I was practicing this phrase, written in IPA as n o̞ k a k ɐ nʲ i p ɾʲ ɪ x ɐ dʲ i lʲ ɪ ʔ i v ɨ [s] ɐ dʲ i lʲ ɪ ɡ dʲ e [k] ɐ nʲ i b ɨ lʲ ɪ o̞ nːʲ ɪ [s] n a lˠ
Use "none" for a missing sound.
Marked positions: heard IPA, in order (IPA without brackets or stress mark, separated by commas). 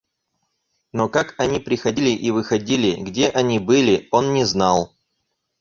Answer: x, ʔ, z